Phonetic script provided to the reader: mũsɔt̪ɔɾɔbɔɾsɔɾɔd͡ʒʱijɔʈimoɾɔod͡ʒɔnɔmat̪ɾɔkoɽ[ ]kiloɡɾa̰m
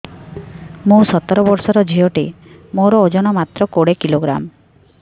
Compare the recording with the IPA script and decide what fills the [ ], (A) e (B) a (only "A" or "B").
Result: A